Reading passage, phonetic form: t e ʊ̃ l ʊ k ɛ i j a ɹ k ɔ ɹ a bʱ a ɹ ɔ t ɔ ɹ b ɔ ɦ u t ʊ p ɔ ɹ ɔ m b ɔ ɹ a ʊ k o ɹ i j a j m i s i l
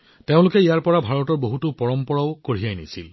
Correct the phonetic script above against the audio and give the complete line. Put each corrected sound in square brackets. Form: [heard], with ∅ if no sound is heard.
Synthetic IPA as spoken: t e ʊ̃ l ʊ k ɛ i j a ɹ [p] ɔ ɹ a bʱ a ɹ ɔ t ɔ ɹ b [o] ɦ u t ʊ p ɔ ɹ ɔ m [p] ɔ ɹ a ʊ k o ɹ i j a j [n] i s i l